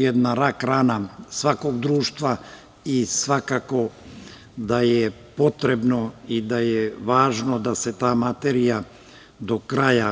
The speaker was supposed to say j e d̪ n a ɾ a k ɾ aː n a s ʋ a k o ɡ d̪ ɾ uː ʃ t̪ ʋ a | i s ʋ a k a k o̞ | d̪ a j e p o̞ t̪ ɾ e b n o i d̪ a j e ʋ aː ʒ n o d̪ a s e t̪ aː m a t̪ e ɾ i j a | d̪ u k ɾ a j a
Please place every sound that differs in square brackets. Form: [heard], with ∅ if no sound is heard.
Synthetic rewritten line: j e d̪ n a ɾ a k ɾ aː n a s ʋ a k o ɡ d̪ ɾ uː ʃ t̪ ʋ a | i s ʋ a k a k o̞ | d̪ a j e p o̞ t̪ ɾ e b n o i d̪ a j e ʋ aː ʒ n o d̪ a s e t̪ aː m a t̪ e ɾ i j a | d̪ [o] k ɾ a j a